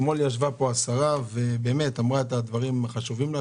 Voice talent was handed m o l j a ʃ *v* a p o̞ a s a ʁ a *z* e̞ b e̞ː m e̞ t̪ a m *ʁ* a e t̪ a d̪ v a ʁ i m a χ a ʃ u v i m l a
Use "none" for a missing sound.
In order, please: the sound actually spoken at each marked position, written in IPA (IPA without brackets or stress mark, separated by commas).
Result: v, v, ʁ